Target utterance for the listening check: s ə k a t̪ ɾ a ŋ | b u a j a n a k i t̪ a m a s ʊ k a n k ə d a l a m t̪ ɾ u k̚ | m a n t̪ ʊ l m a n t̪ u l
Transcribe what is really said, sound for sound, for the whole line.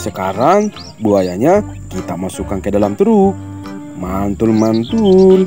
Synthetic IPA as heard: s ə k a ɾ a ŋ | b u a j a ɲ a k i t̪ a m a s u k a n k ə d a l a m t̪ ɾ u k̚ | m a n t̪ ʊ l m a n t̪ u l